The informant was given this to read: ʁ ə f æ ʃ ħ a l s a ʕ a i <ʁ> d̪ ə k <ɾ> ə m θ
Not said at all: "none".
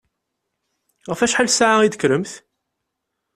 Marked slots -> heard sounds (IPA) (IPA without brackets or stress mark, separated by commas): none, ɾ